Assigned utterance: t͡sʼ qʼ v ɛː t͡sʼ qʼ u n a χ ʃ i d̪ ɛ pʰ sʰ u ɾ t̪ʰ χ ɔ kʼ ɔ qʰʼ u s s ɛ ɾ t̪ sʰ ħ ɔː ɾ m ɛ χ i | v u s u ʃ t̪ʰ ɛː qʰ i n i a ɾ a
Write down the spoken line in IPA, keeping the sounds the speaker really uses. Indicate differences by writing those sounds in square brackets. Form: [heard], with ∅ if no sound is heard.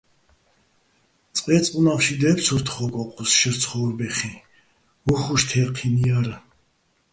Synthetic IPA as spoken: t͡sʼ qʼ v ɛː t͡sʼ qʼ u n a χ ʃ i d̪ ɛ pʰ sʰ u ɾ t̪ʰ χ ɔ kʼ ɔ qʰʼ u s [ʃ] ɛ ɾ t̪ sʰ [χ] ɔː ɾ [b] ɛ χ i | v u [χ] u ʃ t̪ʰ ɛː qʰ i n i a ɾ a